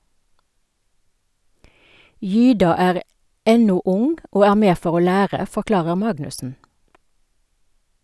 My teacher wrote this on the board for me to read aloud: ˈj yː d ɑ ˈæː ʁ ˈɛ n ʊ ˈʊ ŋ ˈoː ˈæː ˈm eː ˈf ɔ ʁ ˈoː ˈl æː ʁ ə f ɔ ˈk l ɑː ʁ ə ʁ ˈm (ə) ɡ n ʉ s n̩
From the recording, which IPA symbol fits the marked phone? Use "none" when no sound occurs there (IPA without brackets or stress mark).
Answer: ɑ